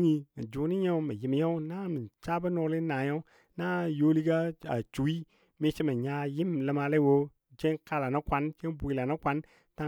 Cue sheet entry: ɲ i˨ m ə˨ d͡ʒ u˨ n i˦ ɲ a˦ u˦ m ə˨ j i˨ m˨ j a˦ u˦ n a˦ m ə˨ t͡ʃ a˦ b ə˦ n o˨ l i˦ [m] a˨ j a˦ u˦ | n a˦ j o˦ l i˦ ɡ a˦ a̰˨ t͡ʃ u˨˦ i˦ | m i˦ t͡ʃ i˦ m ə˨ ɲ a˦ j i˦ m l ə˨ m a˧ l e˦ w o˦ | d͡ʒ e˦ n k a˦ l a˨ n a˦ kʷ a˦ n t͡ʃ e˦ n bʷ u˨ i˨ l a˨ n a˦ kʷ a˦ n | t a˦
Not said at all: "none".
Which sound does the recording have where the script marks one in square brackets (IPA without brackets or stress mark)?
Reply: n